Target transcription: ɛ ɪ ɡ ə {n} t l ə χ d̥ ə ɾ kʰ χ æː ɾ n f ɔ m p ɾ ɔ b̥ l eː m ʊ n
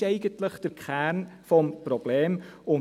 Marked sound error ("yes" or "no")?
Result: no